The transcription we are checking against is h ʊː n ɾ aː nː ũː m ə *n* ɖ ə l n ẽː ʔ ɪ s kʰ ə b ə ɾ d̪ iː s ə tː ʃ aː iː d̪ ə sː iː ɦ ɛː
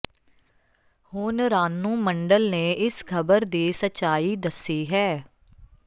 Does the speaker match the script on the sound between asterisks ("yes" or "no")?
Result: no